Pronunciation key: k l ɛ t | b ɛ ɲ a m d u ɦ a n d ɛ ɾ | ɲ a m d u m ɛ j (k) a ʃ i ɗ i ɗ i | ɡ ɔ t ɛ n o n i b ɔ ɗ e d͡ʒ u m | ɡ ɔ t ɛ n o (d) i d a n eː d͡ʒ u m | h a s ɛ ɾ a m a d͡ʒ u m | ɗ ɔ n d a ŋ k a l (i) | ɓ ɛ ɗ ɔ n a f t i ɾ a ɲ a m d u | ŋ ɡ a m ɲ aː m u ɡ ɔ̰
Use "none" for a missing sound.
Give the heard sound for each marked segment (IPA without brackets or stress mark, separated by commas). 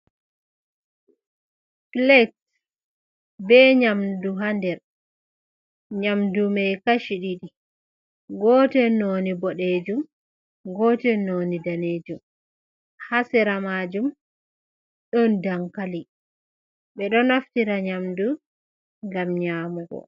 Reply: k, n, i